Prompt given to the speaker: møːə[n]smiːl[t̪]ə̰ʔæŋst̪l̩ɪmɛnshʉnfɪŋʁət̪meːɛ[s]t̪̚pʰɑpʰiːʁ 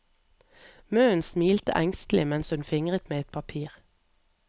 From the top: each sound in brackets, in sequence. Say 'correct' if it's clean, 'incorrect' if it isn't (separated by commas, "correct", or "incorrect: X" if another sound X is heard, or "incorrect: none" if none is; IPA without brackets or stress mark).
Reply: correct, correct, incorrect: none